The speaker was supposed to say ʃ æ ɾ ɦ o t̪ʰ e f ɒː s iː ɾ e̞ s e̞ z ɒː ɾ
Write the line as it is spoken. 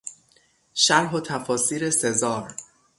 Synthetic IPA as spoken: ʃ æ ɾ ɦ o t̪ʰ æ f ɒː s iː ɾ e̞ s e̞ z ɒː ɾ